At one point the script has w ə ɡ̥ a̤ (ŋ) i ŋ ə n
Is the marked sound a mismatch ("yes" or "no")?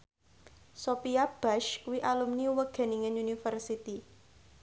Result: yes